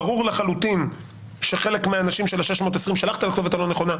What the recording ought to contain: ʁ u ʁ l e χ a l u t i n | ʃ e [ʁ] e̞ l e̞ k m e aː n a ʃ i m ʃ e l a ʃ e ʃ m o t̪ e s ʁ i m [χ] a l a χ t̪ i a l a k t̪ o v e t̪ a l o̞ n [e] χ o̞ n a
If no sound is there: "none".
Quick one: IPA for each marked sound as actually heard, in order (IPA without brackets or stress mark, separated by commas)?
χ, ʃ, e